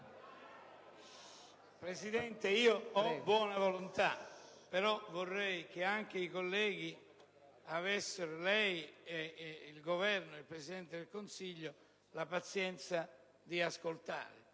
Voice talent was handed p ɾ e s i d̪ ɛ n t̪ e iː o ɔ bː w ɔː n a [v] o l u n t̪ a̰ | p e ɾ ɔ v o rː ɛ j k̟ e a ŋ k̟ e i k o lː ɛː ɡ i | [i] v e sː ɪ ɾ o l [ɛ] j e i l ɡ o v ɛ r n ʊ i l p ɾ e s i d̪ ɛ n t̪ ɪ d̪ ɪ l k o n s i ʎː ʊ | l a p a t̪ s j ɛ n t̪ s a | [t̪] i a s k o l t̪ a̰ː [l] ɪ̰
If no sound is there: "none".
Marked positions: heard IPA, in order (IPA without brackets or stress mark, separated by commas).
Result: v, a, ɛ, d̪, ɾ